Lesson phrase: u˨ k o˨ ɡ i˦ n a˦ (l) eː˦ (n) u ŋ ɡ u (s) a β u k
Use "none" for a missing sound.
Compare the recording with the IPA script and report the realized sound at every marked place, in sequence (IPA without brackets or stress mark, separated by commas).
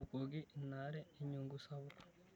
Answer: ɾ, ɲ, s